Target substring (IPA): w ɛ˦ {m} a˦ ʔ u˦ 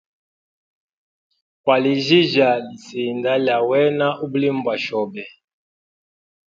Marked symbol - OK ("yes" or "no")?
no